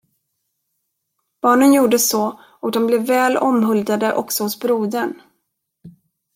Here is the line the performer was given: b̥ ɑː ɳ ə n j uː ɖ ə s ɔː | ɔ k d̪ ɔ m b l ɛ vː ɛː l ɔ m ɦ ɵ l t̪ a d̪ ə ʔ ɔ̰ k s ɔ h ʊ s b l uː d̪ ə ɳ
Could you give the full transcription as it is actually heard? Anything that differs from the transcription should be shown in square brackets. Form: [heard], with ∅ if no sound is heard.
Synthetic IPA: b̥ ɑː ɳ ə n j uː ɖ ə s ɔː | ɔ k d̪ ɔ m b l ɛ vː ɛː l ɔ m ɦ ɵ l [d̪] a d̪ ə ʔ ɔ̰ k s ɔ h ʊ s b [ɾ] uː d̪ ə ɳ